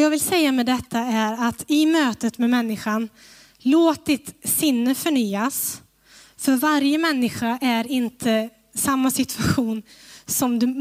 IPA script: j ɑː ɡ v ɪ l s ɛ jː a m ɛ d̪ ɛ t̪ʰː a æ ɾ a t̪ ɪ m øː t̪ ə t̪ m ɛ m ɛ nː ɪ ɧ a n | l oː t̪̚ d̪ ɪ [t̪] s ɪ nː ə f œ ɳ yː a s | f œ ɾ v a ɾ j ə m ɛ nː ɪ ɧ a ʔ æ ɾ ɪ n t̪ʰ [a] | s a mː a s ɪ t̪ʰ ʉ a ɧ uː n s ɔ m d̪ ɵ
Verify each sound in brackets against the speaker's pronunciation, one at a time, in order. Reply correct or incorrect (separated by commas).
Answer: correct, incorrect